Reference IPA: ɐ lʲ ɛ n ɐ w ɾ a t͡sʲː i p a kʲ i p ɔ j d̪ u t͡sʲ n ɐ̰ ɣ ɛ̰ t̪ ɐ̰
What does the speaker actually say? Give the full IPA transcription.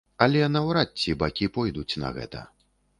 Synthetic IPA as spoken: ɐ lʲ ɛ n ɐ w ɾ a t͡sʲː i b a kʲ i p ɔ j d̪ u t͡sʲ n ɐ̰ ɣ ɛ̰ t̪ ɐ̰